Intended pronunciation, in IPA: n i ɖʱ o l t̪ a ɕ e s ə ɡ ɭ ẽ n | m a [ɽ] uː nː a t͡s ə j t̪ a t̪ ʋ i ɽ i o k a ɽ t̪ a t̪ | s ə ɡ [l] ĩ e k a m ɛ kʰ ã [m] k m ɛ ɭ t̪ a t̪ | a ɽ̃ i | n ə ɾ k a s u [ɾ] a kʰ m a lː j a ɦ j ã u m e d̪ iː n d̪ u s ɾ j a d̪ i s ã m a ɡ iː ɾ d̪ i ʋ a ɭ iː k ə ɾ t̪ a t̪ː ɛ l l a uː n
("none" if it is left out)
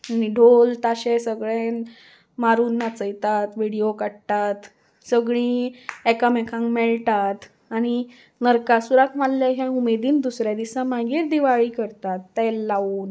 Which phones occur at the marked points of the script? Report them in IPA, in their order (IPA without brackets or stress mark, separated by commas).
ɾ, ɭ, ŋ, ɾ